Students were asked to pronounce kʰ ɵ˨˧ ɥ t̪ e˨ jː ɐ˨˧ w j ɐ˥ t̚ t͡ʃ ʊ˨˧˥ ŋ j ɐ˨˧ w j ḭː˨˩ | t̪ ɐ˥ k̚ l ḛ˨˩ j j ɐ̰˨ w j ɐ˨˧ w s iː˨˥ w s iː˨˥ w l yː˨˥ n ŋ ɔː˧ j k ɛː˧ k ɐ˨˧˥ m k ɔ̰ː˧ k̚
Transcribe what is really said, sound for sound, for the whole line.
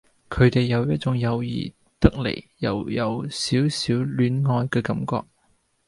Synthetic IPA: kʰ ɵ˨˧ ɥ t̪ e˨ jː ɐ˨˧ w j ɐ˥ t̚ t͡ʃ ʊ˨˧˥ ŋ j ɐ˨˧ w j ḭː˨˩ | t̪ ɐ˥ k̚ l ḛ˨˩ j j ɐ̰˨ w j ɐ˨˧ w s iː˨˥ w s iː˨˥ w l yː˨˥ n ŋ ɔː˧ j k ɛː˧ k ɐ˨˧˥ m k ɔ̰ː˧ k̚